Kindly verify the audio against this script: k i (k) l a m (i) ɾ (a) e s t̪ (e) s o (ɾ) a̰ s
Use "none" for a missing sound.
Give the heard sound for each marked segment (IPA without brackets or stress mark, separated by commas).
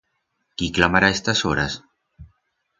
k, a, a, a, ɾ